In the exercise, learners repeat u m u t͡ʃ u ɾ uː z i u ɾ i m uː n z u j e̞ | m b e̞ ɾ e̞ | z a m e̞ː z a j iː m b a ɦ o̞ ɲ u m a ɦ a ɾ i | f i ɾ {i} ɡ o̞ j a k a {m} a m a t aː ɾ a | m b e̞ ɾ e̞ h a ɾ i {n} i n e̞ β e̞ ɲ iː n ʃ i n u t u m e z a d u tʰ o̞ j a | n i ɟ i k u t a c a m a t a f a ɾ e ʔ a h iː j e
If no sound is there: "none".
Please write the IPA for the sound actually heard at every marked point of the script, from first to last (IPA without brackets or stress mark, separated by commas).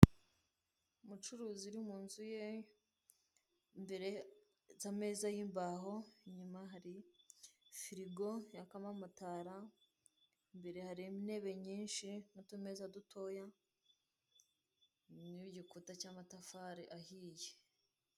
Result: i, m, m